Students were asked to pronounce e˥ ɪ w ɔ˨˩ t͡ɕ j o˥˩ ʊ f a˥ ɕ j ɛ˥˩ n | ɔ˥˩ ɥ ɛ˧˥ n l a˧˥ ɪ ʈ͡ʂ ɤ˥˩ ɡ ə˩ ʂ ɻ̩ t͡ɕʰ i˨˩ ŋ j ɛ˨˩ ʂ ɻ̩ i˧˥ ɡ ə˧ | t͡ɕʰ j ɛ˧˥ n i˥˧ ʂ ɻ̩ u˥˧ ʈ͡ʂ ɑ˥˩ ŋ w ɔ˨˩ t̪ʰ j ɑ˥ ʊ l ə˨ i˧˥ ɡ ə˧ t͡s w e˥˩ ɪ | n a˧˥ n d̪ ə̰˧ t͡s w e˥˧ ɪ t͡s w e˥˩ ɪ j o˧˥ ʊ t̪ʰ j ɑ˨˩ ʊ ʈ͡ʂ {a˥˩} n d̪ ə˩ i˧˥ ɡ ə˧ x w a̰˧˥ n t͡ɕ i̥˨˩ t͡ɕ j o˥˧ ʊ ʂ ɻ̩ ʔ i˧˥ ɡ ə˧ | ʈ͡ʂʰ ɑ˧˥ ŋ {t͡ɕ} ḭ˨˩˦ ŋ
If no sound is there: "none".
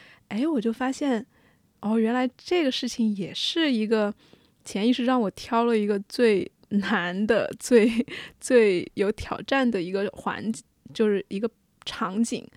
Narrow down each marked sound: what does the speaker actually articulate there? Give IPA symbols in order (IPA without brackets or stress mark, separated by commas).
a˥˩, t͡ɕ